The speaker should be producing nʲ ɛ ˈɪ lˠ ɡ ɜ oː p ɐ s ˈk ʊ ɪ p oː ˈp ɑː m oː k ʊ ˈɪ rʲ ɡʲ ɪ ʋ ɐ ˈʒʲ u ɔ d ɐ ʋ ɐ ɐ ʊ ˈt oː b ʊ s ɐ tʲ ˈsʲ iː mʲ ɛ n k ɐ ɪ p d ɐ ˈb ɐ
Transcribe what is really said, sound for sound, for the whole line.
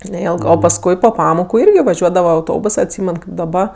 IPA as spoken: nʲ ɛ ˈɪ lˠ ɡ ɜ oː p ɐ s ˈk ʊ ɪ p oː ˈp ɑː m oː k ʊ ˈɪ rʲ ɡʲ ɪ ʋ ɐ ˈʒʲ u ɔ d ɐ ʋ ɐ ɐ ʊ ˈt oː b ʊ s ɐ tʲ ˈsʲ iː mʲ ɛ n k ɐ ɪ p d ɐ ˈb ɐ